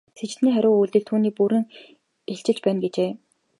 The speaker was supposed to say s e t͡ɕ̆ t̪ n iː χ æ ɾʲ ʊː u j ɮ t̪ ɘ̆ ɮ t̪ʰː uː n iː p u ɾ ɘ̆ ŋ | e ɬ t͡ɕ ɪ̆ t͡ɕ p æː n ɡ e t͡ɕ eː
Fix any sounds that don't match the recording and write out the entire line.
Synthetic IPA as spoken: s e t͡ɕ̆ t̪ n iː χ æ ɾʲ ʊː u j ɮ t̪ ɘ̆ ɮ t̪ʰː uː n iː p u ɾ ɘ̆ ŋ | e ɬ t͡ɕ ɪ̆ t͡ɕ p æː n ɡ e t͡ɕ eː